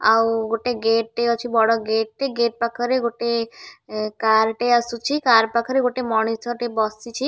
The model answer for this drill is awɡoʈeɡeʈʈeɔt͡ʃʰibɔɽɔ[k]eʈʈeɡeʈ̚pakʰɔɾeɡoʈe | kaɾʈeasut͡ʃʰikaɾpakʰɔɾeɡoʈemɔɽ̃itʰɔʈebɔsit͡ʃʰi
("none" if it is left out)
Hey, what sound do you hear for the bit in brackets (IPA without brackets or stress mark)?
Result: ɡ